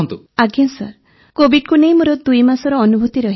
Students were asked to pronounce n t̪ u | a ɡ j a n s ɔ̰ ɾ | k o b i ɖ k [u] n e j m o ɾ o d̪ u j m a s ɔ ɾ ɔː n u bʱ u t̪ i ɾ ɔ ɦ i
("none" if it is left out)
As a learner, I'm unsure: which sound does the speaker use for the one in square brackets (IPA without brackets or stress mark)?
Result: u